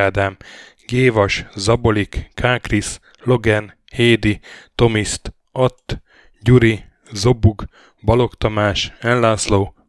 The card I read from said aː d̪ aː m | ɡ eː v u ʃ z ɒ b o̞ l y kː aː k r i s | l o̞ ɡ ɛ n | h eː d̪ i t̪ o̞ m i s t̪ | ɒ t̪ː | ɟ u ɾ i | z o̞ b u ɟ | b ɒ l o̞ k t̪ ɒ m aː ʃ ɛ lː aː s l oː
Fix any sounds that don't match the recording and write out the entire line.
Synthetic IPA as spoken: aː d̪ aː m | ɡ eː v ɒ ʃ z ɒ b o̞ l i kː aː k r i s | l o̞ ɡ ɛ n | h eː d̪ i t̪ o̞ m i s t̪ | ɒ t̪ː | ɟ u ɾ i | z o̞ b u ɡ | b ɒ l o̞ k t̪ ɒ m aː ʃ ɛ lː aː s l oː